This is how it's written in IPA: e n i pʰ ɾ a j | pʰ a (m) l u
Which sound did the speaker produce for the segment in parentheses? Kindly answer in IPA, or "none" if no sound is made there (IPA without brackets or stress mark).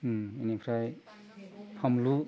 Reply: m